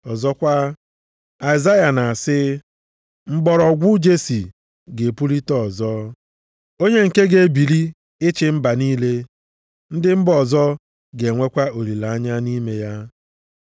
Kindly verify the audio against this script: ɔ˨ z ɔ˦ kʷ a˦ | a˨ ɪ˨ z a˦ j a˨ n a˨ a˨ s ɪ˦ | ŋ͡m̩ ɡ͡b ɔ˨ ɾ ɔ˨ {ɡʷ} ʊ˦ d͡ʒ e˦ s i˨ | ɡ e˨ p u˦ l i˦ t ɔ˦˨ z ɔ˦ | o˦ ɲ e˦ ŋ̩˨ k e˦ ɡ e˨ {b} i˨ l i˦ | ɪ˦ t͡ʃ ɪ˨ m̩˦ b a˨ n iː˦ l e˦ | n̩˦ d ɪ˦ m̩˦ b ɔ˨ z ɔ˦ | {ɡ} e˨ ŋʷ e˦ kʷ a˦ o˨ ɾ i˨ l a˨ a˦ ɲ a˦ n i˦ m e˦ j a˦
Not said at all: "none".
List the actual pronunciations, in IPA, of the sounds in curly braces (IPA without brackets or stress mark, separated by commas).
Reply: ɡʷ, b, ɡ